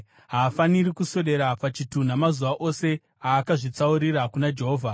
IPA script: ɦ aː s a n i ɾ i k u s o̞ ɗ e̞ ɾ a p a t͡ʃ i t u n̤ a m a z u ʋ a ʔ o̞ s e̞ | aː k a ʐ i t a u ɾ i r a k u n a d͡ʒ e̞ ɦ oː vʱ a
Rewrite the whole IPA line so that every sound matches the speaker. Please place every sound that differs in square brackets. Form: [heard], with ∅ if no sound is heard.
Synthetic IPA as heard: ɦ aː [f] a n i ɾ i k u s o̞ ɗ e̞ ɾ a p a t͡ʃ i t u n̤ a m a z u ʋ a ʔ o̞ s e̞ | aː k a ʐ i [t͡s] a u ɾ i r a k u n a d͡ʒ e̞ ɦ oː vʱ a